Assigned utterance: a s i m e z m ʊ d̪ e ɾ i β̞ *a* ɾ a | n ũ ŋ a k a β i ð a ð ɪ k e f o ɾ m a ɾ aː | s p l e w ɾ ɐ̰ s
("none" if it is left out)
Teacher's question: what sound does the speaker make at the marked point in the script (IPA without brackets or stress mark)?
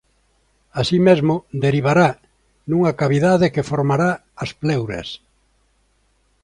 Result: a